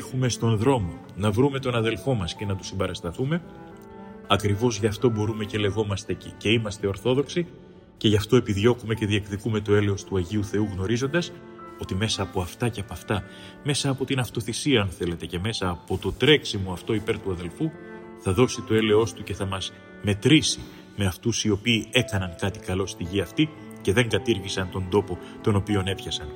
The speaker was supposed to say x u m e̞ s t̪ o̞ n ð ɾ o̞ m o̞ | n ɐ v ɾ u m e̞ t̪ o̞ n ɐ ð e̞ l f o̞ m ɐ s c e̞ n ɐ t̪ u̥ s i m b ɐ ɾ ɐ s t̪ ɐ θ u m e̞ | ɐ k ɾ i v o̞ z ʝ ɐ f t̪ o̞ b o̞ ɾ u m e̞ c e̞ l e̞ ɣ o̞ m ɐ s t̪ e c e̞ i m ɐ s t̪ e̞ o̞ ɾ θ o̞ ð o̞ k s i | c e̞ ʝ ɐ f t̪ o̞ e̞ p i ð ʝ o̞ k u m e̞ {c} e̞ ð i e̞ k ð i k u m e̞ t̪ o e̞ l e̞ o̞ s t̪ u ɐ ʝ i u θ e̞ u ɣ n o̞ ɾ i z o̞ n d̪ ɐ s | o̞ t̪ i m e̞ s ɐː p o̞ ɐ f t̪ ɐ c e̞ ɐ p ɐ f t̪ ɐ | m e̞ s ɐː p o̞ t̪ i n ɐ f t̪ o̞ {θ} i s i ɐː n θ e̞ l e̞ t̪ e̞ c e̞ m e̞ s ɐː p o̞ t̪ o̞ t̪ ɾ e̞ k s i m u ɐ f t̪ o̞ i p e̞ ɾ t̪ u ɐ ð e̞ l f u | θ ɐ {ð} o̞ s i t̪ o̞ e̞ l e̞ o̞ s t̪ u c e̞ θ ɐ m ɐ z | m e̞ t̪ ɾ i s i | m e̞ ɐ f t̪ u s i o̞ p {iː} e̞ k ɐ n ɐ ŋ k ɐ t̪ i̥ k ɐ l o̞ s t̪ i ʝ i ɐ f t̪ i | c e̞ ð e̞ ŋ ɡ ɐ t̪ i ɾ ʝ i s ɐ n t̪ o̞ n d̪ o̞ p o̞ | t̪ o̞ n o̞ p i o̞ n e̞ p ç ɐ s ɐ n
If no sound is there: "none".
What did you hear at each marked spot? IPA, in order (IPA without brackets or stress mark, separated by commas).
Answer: c, θ, ð, iː